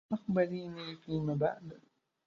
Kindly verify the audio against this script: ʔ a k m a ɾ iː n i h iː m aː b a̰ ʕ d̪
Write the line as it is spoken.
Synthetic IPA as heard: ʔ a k b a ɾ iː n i f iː m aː b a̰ ʕ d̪